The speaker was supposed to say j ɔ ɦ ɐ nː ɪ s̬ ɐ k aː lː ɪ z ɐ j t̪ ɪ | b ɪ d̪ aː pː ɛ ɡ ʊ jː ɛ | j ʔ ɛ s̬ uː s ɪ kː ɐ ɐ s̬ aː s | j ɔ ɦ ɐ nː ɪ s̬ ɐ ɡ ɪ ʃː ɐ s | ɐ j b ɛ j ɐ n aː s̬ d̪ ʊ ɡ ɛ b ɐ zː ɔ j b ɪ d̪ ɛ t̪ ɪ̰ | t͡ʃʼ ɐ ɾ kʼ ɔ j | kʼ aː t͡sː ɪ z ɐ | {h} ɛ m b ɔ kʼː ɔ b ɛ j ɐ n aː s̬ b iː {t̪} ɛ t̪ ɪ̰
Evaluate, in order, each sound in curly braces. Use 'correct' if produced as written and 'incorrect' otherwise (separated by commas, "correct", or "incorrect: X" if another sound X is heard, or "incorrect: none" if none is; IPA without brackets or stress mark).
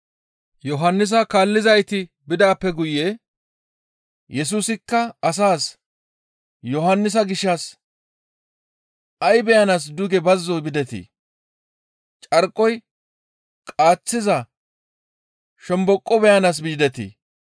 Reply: incorrect: ʃ, incorrect: d̪